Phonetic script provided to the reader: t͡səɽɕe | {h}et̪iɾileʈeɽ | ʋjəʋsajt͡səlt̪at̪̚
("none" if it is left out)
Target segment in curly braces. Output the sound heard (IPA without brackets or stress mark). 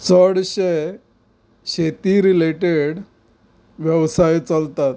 ɕ